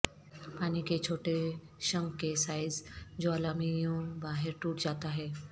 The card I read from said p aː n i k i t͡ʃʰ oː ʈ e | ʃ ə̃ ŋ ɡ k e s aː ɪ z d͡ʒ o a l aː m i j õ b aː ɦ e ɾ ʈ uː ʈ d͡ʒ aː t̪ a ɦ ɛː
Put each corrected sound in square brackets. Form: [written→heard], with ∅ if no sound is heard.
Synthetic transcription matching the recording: p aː n i k [i→e] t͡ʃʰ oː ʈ e | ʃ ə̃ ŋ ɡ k e s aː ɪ z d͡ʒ o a l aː m i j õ b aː ɦ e ɾ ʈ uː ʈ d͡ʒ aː t̪ a ɦ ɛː